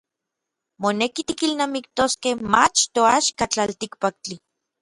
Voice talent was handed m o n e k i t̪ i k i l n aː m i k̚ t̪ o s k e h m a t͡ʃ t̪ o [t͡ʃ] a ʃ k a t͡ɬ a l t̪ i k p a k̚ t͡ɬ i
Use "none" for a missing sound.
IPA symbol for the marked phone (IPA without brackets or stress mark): none